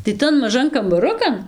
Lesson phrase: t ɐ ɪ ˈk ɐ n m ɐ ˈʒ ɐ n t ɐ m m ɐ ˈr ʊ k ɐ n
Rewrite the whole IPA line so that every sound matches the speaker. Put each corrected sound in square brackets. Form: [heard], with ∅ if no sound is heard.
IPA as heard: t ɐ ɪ [ˈt] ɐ n m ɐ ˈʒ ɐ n [k] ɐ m [b] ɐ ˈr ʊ k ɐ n